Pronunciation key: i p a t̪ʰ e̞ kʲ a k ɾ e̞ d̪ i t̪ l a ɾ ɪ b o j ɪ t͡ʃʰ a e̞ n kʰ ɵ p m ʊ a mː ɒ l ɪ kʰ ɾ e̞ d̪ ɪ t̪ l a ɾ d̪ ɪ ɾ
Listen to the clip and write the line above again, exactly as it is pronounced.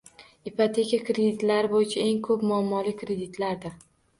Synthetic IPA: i p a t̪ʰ e̞ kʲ a k ɾ e̞ d̪ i t̪ l a ɾ ɪ b o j ɪ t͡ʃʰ a e̞ ŋ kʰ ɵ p m ʊ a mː ɒ l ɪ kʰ ɾ e̞ d̪ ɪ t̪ l a ɾ d̪ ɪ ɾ